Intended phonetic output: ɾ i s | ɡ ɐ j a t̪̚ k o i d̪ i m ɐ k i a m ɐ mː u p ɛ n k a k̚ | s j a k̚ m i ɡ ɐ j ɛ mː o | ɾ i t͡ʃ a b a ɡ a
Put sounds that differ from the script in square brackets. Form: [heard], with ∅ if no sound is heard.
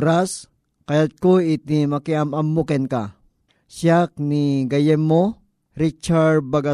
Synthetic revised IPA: ɾ [a] s | [k] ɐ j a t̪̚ k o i [t̪] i m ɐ k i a m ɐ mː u [k] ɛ n k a [∅] | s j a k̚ [n] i ɡ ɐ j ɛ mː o | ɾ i t͡ʃ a b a ɡ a